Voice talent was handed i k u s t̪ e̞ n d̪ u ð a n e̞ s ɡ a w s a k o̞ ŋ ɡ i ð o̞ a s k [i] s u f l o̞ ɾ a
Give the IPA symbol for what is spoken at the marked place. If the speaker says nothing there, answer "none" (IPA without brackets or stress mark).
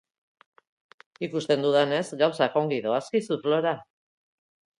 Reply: i